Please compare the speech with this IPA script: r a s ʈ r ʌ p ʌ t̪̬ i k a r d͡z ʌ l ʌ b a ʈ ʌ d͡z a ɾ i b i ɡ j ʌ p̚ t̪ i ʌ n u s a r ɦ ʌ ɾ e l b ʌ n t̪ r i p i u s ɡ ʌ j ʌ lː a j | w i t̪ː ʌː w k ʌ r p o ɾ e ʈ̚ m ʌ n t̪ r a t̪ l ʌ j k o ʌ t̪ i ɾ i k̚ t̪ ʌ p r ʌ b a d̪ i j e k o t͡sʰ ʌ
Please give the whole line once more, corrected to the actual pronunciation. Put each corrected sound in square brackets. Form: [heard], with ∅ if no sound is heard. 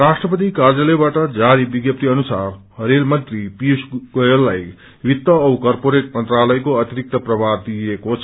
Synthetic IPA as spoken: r a s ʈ r ʌ p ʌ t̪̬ i k a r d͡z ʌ l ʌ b a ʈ ʌ d͡z a ɾ i b i ɡ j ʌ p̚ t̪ i ʌ n u s a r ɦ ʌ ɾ e l [m] ʌ n t̪ r i p i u s ɡ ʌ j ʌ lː a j | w i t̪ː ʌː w k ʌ r p o ɾ e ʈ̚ m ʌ n t̪ r a [∅] l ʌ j k o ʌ t̪ i ɾ i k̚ t̪ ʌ p r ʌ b a d̪ i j e k o t͡sʰ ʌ